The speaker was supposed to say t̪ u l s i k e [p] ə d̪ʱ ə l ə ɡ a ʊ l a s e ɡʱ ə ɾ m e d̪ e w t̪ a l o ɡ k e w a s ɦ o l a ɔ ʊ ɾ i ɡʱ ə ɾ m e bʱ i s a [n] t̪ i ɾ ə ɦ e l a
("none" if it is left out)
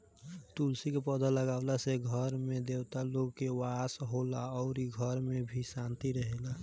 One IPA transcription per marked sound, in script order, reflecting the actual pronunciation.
p, n

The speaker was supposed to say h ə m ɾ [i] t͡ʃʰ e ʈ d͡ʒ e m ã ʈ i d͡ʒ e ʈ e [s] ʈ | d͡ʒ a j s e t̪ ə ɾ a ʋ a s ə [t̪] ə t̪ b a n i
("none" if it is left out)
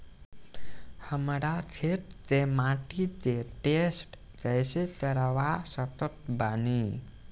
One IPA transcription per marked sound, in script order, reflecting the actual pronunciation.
a, s, t̪

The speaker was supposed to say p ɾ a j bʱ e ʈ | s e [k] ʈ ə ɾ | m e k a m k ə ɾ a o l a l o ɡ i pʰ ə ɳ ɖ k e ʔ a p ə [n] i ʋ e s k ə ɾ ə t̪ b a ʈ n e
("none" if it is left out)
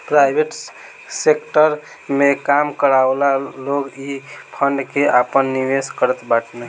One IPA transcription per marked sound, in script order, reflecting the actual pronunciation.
k, nː

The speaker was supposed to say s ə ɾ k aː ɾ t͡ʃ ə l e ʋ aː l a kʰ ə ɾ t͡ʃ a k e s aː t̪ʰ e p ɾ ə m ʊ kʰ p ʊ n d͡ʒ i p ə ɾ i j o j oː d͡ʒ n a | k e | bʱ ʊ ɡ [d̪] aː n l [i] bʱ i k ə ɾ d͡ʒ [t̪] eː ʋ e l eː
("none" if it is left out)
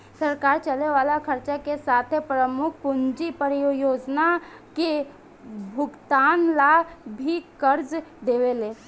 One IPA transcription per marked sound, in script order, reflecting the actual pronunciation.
t̪, a, d̪

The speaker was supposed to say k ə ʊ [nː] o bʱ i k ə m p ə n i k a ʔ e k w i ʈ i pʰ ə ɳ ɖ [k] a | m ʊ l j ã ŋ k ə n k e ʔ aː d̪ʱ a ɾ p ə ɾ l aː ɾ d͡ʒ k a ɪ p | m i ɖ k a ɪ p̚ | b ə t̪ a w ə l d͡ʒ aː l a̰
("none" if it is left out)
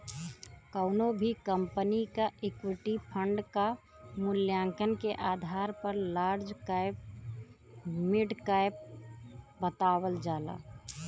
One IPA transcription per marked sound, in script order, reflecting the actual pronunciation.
n, k

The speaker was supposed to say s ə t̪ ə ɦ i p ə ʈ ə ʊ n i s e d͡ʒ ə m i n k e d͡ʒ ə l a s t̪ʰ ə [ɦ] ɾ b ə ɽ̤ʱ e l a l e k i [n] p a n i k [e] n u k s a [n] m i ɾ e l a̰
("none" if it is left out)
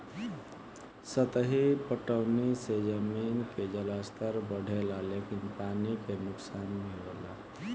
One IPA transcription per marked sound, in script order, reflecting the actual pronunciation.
none, n, e, n

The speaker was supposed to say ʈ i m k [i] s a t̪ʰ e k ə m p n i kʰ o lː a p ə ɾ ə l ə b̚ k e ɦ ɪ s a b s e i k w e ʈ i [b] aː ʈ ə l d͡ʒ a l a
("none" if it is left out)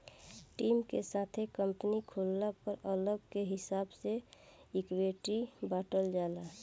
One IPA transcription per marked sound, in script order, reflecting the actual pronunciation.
e, b

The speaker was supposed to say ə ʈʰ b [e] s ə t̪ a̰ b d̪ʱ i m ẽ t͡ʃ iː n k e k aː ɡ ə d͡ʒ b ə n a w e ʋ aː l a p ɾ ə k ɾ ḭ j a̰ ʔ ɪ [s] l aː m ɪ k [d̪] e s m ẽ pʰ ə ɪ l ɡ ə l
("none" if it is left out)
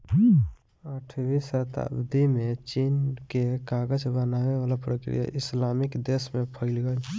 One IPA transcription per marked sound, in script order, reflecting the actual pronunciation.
i, s, d̪

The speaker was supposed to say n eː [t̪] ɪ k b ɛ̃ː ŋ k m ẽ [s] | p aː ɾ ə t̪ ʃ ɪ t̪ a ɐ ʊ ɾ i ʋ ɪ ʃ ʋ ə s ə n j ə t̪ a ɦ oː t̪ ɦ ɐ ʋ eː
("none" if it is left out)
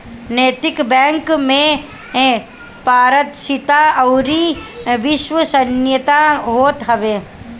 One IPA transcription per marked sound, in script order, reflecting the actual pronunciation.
t̪, none

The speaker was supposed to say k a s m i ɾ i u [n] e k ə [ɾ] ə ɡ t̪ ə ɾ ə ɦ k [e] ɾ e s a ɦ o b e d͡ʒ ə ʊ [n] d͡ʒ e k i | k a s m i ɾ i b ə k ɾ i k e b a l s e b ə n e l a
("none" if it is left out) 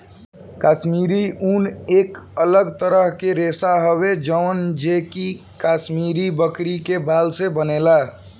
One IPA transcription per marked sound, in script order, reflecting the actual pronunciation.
n, l, e, n

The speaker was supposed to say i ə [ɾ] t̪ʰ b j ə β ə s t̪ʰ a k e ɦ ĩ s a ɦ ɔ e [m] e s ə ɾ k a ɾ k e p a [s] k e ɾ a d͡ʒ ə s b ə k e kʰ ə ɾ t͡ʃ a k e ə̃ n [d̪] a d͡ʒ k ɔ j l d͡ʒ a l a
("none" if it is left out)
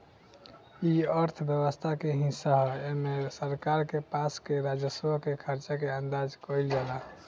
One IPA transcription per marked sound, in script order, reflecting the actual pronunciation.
ɾ, m, s, d̪

